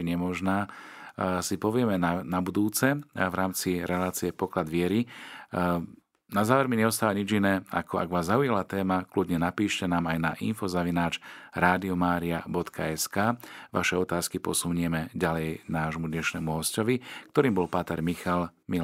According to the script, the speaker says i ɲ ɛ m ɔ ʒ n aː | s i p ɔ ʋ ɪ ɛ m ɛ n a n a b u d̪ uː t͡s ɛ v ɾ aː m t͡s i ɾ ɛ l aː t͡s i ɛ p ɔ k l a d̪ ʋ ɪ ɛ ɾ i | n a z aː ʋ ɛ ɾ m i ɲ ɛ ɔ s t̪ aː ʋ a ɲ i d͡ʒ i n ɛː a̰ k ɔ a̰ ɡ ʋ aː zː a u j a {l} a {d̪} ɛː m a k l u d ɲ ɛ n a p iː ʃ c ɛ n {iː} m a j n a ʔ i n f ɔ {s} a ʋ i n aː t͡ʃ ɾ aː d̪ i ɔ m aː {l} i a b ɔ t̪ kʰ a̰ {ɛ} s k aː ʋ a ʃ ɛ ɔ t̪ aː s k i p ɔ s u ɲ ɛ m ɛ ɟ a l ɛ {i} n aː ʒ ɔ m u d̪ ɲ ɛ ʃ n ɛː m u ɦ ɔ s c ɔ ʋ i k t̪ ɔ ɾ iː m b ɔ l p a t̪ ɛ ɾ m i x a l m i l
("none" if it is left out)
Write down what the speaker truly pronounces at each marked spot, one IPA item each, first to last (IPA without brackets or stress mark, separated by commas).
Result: l, t̪, aː, z, ɾ, ɛ, j